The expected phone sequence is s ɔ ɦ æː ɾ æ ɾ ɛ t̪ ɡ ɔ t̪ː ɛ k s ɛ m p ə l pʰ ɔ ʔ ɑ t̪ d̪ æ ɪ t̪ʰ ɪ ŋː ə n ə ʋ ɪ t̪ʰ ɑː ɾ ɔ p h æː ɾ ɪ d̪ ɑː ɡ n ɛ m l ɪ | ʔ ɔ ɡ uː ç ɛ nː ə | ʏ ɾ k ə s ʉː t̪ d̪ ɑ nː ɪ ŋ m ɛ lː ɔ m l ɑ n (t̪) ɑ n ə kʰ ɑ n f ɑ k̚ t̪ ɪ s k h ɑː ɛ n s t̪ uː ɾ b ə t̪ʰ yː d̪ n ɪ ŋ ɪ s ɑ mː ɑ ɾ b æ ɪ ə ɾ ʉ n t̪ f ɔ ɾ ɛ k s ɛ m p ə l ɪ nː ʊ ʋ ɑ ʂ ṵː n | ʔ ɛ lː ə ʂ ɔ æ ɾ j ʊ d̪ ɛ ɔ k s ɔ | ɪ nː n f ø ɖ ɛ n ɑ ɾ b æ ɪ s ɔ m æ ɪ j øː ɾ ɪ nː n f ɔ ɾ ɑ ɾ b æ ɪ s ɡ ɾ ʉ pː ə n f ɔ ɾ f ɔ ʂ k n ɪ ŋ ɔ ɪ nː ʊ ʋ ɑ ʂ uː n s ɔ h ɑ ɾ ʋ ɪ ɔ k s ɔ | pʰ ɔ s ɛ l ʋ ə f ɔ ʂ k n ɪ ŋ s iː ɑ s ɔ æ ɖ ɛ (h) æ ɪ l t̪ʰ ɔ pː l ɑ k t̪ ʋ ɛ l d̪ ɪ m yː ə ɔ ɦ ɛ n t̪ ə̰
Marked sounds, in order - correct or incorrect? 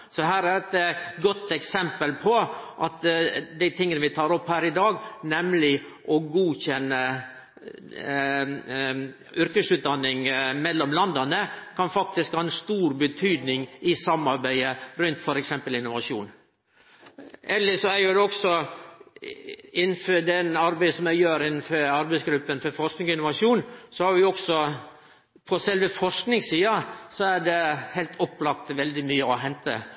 incorrect, correct

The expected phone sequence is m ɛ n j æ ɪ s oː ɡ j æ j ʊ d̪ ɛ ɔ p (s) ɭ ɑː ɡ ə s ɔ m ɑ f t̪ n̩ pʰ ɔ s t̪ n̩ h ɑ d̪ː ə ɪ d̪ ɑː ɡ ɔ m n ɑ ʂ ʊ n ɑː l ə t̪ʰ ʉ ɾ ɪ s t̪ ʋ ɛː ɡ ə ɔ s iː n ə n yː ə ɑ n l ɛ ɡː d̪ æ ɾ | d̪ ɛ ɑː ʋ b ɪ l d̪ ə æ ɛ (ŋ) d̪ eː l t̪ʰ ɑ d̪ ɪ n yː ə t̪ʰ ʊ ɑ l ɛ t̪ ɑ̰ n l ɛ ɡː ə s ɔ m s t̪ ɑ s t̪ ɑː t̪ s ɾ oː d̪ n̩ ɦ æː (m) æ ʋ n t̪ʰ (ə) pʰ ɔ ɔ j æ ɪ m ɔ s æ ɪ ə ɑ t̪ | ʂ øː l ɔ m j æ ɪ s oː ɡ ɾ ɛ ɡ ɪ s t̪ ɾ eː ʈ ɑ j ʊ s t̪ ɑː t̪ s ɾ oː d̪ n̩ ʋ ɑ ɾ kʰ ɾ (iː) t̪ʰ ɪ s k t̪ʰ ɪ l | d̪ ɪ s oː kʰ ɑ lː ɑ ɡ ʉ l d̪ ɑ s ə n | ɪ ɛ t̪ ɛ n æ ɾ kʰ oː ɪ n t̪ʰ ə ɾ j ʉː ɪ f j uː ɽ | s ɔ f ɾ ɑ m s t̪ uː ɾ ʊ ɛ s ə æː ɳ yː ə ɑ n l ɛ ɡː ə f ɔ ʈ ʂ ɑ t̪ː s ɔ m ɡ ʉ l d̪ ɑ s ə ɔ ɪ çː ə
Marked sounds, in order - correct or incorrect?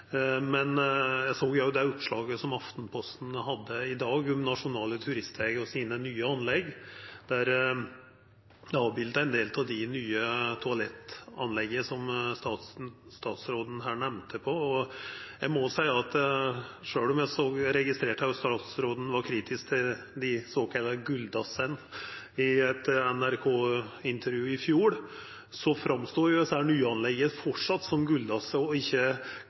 incorrect, incorrect, incorrect, correct, correct

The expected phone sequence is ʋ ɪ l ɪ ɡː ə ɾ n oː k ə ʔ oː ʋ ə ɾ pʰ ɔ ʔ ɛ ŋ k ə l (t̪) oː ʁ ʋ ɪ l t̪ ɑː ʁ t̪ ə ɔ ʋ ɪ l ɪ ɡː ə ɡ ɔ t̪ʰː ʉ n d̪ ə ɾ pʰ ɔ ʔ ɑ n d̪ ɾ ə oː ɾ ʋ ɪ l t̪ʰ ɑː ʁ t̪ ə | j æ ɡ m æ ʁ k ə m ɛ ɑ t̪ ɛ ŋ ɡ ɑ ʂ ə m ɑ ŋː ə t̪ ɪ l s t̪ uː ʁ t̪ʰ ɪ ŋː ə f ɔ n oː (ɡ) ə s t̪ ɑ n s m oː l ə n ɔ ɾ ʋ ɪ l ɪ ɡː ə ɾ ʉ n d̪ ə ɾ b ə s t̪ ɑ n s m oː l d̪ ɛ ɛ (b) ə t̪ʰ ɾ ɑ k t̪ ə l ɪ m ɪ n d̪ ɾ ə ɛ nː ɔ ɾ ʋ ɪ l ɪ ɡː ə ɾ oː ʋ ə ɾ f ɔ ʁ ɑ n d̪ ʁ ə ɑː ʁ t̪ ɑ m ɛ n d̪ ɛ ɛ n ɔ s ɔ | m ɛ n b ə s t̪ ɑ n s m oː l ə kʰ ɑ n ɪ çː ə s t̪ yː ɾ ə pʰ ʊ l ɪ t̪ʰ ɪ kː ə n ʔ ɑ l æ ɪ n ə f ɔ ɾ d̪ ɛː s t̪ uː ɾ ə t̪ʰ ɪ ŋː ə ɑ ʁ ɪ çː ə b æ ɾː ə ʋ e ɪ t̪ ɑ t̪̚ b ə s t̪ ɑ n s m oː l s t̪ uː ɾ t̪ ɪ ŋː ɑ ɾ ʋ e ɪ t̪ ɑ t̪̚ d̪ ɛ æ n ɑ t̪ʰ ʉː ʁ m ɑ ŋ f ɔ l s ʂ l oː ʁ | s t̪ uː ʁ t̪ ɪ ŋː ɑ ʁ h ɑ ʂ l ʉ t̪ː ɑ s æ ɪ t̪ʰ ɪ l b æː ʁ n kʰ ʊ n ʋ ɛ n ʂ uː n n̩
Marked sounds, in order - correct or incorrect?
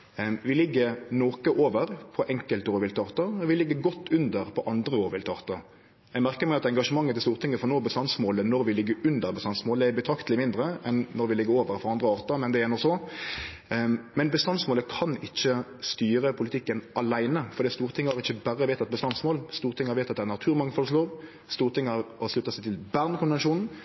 correct, incorrect, correct

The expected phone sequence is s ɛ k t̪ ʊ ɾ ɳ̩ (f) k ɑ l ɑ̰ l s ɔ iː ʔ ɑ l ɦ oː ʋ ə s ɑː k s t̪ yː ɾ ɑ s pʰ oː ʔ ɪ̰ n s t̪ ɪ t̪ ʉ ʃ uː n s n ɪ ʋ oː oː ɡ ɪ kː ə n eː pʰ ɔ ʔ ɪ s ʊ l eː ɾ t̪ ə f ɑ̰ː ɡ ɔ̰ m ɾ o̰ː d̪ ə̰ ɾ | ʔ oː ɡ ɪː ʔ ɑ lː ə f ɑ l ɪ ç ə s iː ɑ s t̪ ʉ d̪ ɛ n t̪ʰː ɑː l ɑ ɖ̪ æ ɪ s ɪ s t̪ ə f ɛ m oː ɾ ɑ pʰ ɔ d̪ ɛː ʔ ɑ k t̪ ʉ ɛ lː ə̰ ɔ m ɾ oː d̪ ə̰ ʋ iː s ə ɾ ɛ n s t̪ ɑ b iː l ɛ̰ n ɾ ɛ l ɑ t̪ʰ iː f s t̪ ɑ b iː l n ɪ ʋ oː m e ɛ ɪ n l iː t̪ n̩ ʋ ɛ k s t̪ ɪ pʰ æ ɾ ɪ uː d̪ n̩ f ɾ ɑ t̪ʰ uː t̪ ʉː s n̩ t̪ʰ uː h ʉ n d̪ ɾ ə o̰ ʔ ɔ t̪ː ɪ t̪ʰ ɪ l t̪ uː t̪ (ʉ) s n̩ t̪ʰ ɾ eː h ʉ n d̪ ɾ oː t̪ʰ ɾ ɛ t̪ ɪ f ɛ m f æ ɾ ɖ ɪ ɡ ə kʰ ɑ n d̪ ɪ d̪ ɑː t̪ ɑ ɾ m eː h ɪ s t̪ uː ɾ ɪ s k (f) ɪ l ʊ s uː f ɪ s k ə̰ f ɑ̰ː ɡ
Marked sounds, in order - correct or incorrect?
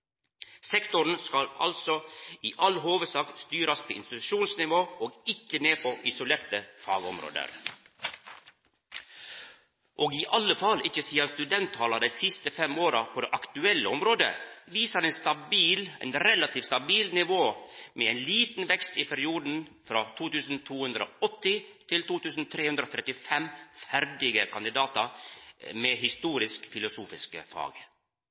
incorrect, incorrect, correct

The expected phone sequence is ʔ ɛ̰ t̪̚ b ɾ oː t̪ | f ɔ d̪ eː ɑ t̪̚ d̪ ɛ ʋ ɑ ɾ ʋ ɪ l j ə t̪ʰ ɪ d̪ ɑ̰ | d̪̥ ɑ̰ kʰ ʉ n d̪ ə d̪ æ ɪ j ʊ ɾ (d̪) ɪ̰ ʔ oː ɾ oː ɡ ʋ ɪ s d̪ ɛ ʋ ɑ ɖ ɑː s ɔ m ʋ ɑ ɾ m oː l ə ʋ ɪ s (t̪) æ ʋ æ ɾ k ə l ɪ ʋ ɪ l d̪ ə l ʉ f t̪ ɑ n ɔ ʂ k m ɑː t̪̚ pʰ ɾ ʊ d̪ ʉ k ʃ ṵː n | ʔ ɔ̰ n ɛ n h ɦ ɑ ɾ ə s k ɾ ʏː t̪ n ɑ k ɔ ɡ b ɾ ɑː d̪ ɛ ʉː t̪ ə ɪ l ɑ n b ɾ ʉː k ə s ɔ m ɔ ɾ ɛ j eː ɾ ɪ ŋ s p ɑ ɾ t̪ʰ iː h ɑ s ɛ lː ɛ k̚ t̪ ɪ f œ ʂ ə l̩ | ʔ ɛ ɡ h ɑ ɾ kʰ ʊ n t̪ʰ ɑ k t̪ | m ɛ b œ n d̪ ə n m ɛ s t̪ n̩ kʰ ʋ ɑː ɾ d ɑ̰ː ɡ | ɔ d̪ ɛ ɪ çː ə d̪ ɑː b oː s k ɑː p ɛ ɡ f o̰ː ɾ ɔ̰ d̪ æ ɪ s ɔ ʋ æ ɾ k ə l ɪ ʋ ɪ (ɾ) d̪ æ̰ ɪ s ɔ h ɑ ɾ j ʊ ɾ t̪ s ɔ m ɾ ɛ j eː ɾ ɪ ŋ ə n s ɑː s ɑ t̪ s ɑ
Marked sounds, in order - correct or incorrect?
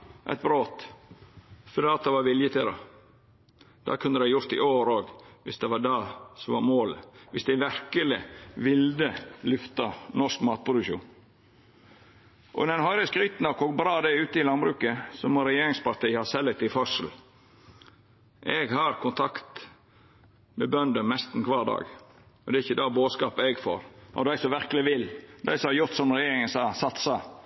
incorrect, incorrect, incorrect

